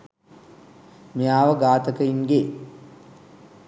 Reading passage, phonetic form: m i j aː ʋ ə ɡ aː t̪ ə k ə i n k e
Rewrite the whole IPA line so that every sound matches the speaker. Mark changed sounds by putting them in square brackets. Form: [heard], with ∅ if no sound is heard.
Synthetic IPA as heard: m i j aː ʋ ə ɡ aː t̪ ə k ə i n [ɡ] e